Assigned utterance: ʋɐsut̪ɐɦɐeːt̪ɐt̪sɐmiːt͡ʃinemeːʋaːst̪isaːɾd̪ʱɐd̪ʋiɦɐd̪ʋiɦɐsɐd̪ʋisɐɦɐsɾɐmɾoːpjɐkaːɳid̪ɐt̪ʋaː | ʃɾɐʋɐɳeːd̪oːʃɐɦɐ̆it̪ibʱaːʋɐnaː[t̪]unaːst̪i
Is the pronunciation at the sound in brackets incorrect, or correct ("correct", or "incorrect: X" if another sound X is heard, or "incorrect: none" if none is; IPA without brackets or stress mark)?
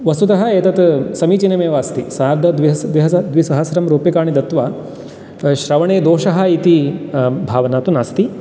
correct